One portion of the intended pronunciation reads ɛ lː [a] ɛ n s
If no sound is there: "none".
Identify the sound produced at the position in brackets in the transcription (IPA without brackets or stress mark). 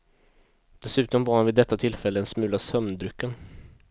ə